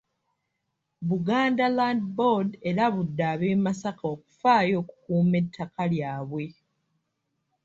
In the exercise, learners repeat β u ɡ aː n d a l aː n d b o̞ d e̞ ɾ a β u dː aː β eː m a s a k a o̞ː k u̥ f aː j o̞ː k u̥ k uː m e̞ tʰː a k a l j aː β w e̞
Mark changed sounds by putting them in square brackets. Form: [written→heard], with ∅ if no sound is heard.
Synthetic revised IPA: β u ɡ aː n d a l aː n d b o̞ d e̞ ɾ a β u dː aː β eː m a s a k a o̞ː k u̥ f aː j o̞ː k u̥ k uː m e̞ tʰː a k a l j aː β w e̞